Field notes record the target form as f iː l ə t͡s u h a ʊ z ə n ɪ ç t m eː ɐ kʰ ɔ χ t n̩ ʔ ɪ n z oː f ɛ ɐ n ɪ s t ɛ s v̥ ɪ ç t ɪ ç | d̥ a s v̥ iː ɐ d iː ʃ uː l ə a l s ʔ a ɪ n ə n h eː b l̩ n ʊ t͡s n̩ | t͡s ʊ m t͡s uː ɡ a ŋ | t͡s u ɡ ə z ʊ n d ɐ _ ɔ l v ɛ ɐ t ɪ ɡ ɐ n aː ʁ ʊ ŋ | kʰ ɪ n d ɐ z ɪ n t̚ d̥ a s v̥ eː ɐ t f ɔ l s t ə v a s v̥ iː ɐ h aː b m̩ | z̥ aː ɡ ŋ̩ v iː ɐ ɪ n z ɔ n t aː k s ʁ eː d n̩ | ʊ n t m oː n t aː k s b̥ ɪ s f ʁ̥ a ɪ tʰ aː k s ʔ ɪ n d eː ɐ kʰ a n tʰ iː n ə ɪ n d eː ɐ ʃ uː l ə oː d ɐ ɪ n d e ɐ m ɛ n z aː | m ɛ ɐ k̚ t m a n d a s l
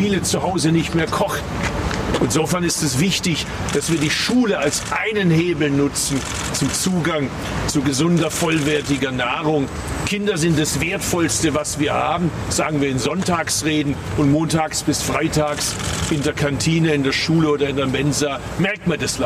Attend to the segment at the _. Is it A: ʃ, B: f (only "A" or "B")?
B